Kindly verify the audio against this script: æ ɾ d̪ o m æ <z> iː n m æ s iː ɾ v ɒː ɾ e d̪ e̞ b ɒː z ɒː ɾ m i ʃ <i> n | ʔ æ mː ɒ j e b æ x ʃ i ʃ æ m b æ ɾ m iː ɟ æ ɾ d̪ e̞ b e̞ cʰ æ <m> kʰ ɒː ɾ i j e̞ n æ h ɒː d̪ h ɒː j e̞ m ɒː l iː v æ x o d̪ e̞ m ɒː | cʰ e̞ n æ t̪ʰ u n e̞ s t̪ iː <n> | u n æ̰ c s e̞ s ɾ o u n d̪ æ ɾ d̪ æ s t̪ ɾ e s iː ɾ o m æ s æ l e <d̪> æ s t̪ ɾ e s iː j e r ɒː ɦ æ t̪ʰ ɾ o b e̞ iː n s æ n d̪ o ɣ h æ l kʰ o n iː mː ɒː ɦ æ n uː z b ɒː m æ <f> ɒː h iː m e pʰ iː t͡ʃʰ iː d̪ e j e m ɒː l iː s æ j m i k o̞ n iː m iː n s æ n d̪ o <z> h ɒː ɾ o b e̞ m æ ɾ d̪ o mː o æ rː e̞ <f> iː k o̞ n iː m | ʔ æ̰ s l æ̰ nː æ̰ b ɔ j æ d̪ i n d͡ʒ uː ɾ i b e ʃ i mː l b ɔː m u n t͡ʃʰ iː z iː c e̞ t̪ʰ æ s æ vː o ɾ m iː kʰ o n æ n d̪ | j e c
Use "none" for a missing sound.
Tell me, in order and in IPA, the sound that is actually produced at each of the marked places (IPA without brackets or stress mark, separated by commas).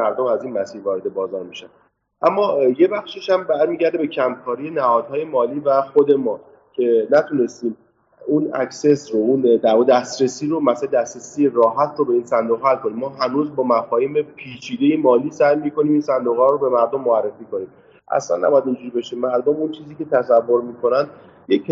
z, æ, m, m, d̪, f, ɣ, f